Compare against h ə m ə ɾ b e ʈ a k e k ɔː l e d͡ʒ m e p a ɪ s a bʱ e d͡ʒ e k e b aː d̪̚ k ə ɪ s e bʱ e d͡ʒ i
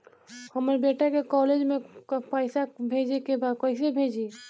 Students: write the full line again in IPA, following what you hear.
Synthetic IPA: h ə m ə ɾ b e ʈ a k e k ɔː l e d͡ʒ m e p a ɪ s a bʱ e d͡ʒ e k e b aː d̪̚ k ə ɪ s e bʱ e d͡ʒ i